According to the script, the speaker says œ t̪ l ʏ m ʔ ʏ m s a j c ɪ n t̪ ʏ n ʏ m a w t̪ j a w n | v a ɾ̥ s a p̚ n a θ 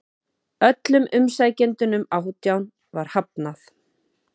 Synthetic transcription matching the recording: œ t̪ l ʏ m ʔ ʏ m s a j c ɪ n t̪ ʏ n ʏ m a w t̪ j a w n | v a ɾ̥ h a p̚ n a θ